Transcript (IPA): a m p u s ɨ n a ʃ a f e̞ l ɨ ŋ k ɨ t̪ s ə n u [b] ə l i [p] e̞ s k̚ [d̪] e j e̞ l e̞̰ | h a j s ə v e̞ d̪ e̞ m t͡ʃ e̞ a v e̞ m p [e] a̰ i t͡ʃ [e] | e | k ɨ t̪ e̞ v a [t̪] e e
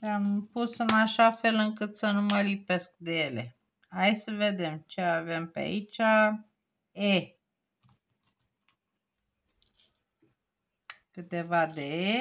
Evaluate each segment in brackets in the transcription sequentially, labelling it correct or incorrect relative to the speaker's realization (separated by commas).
incorrect, correct, correct, correct, incorrect, incorrect